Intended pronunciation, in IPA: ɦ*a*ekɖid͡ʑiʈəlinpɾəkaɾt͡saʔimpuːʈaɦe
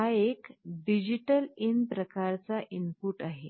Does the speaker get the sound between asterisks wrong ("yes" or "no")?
no